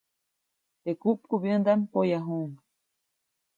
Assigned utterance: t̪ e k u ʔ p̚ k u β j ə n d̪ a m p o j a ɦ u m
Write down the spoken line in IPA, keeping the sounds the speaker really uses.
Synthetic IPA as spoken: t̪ e k u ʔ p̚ k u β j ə n d̪ a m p o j a ɦ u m

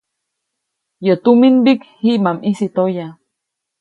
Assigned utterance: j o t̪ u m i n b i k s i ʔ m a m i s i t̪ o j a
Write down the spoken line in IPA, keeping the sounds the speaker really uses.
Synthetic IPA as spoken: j o t̪ u m i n b i k h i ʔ m a m i s i t̪ o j a

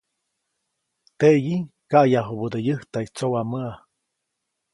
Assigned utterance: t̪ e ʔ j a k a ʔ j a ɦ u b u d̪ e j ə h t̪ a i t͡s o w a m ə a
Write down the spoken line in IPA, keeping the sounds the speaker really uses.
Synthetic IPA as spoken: t̪ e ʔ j i k a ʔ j a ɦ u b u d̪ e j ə h t̪ a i t͡s o w a m ə a

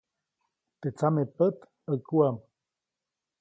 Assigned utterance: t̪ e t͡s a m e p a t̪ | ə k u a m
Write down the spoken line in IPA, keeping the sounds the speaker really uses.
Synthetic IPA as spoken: t̪ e t͡s a m e p ə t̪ | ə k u a m

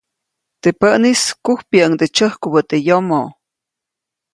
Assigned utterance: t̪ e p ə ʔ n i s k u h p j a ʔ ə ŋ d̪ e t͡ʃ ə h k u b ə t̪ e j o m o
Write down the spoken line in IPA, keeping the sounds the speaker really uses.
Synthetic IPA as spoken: t̪ e p ə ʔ n i s k u h p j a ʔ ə ŋ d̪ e t͡ʃ ə h k u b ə t̪ e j o m o

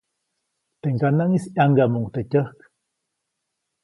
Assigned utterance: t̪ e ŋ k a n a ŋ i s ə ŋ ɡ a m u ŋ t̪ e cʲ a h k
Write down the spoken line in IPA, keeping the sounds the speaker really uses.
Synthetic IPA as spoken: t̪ e ŋ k a n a ŋ i s a ŋ ɡ a m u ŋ t̪ e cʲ ə h k

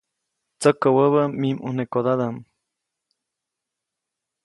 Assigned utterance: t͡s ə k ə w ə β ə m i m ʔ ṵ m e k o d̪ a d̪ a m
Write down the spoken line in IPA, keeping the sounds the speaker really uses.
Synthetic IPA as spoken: t͡s ə k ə w ə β ə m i m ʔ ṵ n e k o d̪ a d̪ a m

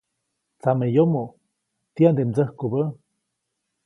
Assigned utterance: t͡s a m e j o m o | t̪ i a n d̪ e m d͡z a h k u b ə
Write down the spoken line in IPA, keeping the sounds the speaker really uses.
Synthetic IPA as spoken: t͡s a m e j o m o | t̪ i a n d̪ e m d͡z ə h k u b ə

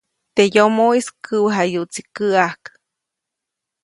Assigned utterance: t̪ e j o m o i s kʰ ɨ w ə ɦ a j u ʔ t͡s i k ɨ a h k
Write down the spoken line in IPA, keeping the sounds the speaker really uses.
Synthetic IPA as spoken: t̪ e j o m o i s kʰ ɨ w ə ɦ a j u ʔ t͡s i k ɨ a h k

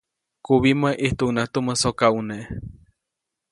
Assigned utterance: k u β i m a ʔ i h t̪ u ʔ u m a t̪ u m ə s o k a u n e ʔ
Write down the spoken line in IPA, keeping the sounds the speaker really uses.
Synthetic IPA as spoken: k u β i m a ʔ i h t̪ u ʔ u n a t̪ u m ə s o k a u n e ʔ

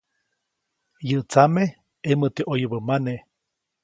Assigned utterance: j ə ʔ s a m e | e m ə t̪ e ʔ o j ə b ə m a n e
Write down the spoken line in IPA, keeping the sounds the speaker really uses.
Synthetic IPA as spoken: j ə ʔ t͡s a m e | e m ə t̪ e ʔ o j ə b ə m a n e

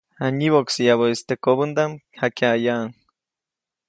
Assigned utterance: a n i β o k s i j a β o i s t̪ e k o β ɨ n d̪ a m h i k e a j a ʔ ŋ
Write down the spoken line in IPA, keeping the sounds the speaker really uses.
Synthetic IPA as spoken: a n i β o k s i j a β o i s t̪ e k o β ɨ n d̪ a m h a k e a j a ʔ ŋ

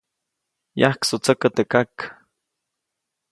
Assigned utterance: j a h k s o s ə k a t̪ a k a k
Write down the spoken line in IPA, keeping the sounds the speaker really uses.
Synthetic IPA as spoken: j a h k s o t͡s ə k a t̪ e k a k

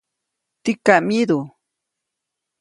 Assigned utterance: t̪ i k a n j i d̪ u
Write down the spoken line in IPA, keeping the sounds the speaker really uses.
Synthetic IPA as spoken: t̪ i k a m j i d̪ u

